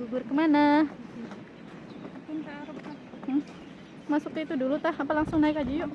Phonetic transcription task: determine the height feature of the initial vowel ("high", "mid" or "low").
high